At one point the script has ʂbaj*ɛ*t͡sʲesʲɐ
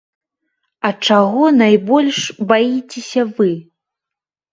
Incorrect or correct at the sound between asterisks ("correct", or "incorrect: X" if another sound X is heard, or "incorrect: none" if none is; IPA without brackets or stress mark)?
incorrect: i